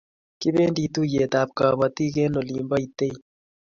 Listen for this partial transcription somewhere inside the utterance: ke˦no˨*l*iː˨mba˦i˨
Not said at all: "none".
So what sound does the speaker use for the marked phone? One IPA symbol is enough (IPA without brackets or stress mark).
l